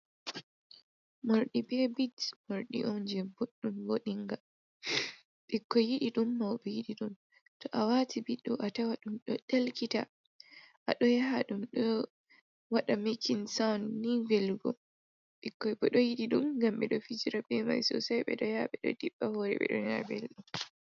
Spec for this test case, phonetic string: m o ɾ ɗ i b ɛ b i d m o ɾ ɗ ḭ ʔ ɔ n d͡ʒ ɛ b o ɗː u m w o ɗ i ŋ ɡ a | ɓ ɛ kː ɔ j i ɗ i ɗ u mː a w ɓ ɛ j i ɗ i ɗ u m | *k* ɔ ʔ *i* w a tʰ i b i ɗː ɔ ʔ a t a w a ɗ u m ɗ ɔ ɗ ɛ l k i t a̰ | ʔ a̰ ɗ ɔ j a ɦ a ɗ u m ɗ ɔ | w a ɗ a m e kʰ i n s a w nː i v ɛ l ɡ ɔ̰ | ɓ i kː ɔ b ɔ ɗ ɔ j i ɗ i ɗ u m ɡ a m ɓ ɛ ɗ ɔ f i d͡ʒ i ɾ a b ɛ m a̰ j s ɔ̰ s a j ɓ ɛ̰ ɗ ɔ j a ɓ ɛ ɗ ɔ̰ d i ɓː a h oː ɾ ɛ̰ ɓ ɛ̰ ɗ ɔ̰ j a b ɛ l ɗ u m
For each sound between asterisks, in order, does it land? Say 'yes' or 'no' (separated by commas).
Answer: no, no